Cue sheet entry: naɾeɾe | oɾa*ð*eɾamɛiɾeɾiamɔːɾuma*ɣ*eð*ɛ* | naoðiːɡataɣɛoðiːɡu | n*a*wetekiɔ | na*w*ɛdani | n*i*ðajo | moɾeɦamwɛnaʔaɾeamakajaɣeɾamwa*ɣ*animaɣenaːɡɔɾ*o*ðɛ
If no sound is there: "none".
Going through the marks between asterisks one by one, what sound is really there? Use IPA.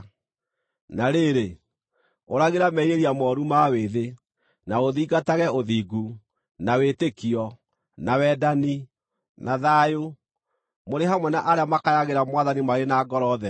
ɣ, w, e, a, w, a, ð, ɔ

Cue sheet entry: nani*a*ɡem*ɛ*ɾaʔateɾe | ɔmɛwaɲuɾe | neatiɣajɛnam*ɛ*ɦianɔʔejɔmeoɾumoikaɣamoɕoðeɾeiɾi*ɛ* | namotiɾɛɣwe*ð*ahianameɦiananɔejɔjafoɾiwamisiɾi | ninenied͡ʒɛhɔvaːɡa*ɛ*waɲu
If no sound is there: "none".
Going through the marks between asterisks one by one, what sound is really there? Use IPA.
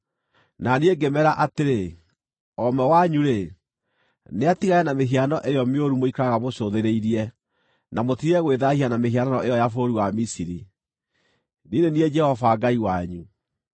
e, ɛ, e, ɛ, ð, i

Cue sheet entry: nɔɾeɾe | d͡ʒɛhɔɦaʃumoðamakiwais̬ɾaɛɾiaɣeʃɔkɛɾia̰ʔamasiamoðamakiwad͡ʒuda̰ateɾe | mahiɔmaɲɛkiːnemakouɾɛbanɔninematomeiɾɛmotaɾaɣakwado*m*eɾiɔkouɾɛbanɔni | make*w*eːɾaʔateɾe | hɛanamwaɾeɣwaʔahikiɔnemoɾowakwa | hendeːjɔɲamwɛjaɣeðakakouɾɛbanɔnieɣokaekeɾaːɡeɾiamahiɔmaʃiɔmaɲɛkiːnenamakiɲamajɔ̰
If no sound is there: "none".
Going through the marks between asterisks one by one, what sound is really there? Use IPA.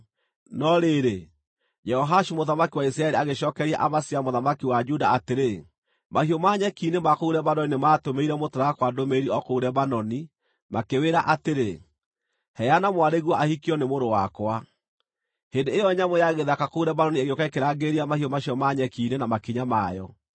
m, w

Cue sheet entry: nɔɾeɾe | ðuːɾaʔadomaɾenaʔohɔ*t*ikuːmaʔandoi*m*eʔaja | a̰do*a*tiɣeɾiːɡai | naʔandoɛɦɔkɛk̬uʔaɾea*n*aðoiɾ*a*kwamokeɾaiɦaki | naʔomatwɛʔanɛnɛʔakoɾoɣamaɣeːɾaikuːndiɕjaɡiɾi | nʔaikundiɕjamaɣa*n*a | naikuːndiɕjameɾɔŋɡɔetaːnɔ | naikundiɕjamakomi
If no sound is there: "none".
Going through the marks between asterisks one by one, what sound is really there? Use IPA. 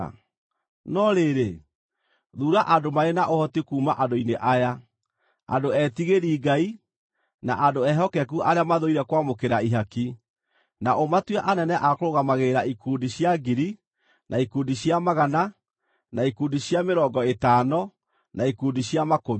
t, n, ɛ, m, ɛ, n

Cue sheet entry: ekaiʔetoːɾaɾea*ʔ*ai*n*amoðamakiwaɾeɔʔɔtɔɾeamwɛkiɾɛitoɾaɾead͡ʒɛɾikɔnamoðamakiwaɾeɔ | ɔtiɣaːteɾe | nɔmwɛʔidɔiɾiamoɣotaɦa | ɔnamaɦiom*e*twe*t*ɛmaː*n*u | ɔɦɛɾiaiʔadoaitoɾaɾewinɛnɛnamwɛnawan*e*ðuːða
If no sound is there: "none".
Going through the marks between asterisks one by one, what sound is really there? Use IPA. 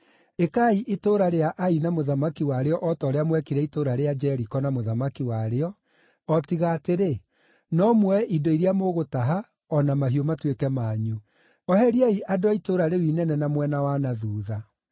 ʔ, n, a, k, ɲ, a

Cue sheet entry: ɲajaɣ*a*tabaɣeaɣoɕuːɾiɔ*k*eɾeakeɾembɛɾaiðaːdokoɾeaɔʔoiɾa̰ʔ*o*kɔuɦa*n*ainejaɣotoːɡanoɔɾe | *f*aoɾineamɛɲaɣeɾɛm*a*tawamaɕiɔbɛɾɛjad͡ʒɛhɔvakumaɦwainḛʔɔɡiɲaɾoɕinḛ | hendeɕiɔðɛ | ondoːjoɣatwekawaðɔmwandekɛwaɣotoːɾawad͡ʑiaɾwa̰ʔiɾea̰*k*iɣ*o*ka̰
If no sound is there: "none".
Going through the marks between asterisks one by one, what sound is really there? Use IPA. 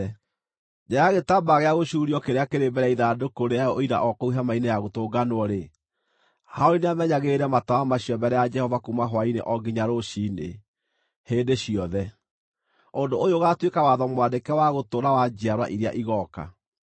e, k, ɔ, m, h, a, ʔ, ɔ

